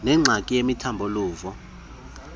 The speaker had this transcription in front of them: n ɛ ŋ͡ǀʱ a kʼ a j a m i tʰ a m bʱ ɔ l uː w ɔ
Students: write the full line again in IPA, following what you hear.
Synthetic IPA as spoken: n ɛ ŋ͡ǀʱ a kʼ i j e m i tʰ a m bʱ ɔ l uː v ɔ